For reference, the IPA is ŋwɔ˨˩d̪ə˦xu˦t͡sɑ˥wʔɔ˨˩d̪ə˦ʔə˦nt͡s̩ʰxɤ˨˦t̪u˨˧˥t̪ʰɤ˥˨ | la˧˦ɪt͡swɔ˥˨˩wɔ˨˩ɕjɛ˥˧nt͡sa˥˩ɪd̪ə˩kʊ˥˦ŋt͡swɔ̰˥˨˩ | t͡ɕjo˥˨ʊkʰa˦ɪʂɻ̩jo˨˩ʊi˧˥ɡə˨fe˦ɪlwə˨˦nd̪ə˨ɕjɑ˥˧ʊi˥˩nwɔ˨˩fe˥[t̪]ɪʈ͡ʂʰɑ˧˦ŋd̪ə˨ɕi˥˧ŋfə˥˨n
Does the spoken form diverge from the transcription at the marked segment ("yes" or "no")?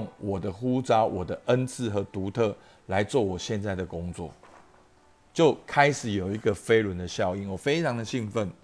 yes